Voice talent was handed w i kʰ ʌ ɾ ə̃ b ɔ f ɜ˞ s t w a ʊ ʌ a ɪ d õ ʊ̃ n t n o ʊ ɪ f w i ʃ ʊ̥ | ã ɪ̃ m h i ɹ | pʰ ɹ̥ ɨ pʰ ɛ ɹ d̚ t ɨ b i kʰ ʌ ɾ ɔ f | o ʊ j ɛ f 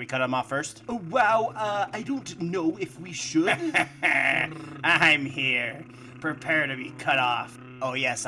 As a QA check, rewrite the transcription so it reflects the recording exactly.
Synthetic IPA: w i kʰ ʌ ɾ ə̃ m ɔ f ɜ˞ s t w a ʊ ʌ a ɪ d õ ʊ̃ n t n o ʊ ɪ f w i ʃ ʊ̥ | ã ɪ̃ m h i ɹ | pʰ ɹ̥ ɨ pʰ ɛ ɹ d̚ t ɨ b i kʰ ʌ ɾ ɔ f | o ʊ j ɛ s